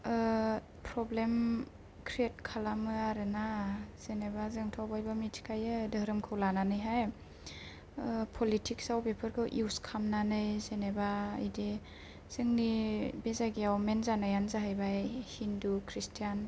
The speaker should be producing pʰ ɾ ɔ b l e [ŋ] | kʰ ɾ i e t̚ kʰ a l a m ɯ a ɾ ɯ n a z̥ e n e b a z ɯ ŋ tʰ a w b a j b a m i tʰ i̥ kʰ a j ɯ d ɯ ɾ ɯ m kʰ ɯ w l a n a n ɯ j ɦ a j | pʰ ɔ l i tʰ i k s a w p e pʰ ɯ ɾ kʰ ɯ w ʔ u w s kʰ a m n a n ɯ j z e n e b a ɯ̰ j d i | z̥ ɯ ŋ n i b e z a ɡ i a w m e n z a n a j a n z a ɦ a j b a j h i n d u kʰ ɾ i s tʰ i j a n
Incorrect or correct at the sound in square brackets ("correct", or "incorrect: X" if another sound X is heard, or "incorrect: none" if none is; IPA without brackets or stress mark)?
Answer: incorrect: m